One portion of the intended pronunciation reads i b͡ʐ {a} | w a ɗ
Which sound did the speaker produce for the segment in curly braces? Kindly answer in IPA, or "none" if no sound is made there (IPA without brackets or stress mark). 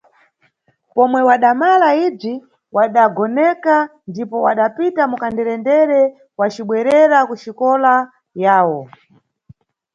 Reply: i